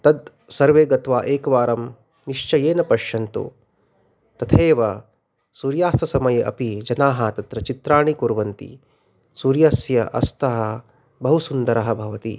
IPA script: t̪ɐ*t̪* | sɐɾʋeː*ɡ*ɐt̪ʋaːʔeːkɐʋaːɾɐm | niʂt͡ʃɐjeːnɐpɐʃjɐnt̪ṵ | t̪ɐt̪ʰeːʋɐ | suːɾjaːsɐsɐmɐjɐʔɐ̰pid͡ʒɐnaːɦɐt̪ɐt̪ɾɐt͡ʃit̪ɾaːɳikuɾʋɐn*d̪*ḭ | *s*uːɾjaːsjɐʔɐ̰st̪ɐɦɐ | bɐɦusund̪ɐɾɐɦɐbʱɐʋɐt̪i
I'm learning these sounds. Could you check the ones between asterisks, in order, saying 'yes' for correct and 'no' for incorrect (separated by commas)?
no, yes, no, yes